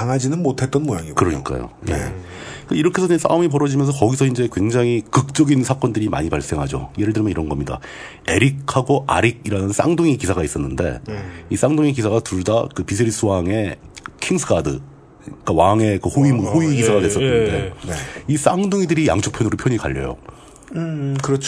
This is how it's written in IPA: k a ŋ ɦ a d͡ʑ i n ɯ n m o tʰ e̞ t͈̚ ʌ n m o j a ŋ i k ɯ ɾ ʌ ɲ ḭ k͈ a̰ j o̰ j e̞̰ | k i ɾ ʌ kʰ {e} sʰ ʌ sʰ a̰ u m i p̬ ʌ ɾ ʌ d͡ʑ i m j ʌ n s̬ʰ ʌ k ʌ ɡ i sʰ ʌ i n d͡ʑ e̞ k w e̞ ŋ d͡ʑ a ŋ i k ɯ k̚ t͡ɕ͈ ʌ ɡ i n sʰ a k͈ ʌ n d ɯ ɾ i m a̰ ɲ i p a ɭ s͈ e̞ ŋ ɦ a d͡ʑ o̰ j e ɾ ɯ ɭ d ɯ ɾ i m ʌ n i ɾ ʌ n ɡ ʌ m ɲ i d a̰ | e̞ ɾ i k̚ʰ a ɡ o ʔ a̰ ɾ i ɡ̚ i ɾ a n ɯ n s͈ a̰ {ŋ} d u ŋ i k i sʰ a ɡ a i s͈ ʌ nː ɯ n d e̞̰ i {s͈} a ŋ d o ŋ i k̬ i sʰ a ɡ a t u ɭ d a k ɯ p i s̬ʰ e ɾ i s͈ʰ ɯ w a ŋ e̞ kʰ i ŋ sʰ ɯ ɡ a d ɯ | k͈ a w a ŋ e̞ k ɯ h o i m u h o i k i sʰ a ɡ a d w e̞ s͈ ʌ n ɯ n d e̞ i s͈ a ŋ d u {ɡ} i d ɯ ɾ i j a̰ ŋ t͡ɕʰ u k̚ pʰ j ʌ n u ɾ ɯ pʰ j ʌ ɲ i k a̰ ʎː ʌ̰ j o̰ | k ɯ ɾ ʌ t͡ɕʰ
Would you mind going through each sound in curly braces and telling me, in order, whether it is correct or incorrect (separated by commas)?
correct, correct, correct, incorrect